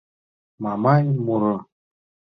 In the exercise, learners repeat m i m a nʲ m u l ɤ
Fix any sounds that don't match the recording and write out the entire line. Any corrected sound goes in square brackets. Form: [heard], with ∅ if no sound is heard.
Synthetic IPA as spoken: m [a] m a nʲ m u [ɾ] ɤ